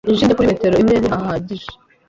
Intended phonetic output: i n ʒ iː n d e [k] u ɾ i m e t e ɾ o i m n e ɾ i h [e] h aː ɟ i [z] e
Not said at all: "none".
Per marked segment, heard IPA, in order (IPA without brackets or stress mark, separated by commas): k, a, ʒ